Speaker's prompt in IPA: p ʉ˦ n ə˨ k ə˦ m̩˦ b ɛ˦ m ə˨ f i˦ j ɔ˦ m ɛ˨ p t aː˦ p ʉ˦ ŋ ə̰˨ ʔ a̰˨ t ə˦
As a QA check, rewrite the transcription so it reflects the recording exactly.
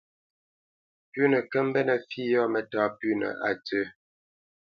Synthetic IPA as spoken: p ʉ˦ n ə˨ k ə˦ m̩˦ b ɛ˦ n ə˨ f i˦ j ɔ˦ m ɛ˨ t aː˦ p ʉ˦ n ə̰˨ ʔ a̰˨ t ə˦